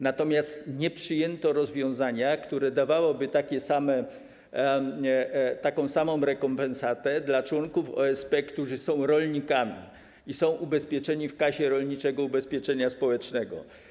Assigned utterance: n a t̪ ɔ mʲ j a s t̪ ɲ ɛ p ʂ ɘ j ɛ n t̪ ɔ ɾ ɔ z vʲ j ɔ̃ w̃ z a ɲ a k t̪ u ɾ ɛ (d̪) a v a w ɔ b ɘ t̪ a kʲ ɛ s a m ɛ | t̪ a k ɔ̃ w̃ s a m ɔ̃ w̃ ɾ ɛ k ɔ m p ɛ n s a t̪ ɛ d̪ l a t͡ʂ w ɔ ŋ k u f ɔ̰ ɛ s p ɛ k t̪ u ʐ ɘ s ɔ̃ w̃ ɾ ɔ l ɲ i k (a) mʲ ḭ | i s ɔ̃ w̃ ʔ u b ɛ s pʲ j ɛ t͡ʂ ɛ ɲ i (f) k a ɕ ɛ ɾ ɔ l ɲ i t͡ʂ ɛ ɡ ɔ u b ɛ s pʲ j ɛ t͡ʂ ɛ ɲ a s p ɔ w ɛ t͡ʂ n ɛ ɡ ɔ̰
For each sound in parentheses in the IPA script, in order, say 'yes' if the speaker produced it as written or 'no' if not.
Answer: yes, yes, yes

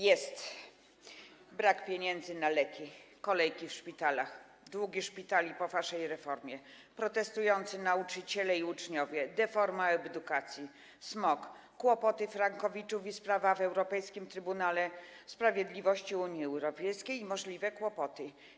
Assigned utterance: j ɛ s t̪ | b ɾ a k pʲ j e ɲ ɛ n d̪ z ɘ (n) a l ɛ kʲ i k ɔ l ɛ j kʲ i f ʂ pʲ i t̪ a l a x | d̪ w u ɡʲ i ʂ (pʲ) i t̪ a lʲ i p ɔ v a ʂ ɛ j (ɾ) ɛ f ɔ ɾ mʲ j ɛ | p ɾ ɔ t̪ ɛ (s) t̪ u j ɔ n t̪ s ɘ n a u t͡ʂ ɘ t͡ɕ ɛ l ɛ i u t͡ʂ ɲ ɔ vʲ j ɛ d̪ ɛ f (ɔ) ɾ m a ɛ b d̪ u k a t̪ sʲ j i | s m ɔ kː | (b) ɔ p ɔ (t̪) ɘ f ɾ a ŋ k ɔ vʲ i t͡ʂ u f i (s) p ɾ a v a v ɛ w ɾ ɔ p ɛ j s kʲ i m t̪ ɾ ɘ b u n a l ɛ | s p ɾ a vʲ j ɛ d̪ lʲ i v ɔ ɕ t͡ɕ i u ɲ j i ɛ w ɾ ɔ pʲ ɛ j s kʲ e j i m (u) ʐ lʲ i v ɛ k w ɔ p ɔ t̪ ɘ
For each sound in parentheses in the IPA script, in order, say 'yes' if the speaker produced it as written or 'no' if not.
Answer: yes, yes, yes, yes, yes, no, yes, yes, no

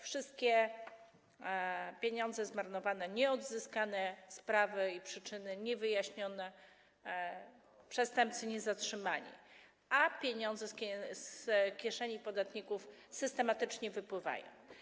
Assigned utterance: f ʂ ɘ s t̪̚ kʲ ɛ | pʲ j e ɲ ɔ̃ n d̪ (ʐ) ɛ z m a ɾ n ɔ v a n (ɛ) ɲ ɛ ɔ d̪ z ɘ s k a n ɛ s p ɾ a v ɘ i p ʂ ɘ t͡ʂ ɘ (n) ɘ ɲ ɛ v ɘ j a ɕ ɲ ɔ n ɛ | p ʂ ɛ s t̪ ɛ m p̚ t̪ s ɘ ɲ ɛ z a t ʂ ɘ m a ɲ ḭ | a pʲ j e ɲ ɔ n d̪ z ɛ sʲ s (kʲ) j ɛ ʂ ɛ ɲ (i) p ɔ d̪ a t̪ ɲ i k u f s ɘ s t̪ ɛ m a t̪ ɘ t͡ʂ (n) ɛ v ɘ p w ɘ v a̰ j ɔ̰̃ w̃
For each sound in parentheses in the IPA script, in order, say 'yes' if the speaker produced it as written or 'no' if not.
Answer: no, yes, yes, yes, yes, no

